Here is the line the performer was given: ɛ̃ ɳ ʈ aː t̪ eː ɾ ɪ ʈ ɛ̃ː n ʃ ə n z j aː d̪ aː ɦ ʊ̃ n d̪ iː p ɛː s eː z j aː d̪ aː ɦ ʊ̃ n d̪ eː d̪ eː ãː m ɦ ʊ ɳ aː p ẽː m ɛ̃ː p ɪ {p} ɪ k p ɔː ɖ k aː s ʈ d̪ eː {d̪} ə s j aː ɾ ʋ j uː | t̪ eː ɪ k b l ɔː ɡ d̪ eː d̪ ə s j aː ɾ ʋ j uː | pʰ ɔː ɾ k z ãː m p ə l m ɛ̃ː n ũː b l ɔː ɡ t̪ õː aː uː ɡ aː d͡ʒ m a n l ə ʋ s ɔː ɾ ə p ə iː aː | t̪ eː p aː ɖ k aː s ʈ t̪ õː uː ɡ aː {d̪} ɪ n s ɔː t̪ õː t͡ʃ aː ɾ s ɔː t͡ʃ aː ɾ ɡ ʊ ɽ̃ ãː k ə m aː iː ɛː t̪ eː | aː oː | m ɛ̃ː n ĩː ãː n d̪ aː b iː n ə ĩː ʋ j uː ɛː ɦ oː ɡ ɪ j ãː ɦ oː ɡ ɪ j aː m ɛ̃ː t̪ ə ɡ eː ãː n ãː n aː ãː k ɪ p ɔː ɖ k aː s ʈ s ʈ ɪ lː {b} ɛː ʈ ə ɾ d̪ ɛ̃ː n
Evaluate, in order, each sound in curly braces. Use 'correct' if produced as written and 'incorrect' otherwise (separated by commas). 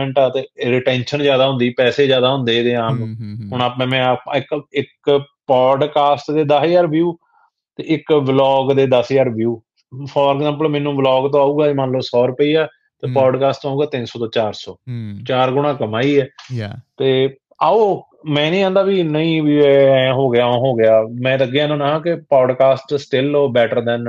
incorrect, correct, incorrect, correct